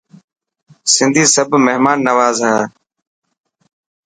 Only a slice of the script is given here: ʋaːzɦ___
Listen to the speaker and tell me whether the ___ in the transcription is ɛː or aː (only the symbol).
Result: aː